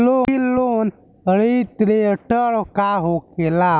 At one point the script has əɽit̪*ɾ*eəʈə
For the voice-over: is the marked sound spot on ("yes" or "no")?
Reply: yes